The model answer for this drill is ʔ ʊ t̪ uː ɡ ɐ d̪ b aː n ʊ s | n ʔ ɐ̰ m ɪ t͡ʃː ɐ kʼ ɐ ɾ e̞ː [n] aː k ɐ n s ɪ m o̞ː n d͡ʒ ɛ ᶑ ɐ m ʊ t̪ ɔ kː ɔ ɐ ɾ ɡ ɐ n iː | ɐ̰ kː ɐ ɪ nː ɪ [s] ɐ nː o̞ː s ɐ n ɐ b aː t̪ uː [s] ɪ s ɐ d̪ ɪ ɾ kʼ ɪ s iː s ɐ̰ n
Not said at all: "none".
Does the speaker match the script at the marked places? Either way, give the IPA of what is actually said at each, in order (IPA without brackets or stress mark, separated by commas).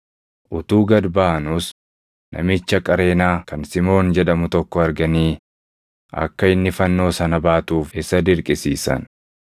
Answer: n, f, f